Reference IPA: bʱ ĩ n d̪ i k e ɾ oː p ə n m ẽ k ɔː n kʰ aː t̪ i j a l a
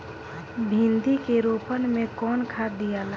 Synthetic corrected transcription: bʱ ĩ n d̪ i k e ɾ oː p ə n m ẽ k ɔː n kʰ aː d̪ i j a l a